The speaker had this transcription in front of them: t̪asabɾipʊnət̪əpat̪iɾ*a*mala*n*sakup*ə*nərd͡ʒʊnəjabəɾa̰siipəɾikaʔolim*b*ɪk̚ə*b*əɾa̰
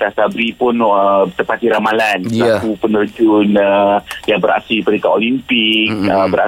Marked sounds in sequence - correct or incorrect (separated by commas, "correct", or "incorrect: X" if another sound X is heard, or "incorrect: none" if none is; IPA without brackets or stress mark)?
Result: correct, correct, correct, incorrect: p, correct